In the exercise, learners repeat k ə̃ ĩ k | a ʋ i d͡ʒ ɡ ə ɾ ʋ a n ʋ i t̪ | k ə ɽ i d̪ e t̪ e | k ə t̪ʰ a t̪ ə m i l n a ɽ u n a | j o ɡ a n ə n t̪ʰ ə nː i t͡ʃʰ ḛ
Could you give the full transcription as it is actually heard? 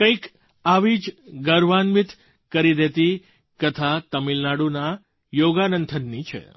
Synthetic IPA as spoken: k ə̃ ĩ k | a ʋ i d͡ʒ ɡ ə ɾ ʋ a n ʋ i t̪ | k ə ɾ i d̪ e t̪ i | k ə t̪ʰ a t̪ ə m i l n a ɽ u n a | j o ɡ a n ə n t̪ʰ ə nː i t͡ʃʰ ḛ